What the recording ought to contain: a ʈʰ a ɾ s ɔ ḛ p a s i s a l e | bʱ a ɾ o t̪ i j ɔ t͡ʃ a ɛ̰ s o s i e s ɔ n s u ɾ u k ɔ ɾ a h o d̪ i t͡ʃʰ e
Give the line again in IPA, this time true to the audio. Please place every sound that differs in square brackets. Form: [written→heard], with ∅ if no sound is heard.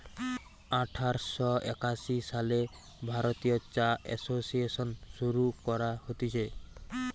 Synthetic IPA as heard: a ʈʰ a ɾ s ɔ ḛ [p→k] a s i s a l e | bʱ a ɾ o t̪ i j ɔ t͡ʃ a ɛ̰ s o s i e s ɔ n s u ɾ u k ɔ ɾ a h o [d̪→t̪] i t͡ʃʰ e